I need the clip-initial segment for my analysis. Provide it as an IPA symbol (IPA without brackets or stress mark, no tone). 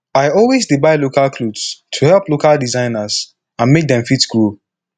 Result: a